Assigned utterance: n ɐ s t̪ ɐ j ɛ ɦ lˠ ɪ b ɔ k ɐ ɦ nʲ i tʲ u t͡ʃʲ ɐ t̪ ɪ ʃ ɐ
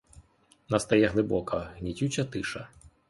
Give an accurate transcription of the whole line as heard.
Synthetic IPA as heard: n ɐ s t̪ ɐ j ɛ ɦ lˠ ɪ b ɔ k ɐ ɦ nʲ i tʲ u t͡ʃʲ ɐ t̪ ɪ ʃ ɐ